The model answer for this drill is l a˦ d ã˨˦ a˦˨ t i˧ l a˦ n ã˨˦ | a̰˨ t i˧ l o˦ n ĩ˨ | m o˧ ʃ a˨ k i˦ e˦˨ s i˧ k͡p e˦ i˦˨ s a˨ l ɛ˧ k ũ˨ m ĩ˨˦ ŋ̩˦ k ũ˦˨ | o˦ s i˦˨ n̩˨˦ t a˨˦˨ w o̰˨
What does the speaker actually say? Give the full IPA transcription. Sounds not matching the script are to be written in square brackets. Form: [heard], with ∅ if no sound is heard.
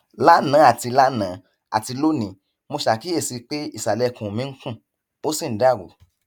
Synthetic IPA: l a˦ [n] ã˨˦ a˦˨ t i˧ l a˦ n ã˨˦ | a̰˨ t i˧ l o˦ n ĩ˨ | m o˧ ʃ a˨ k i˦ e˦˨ s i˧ k͡p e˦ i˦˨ s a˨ l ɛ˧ k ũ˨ m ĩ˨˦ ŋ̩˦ k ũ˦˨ | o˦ s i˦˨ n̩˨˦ [d] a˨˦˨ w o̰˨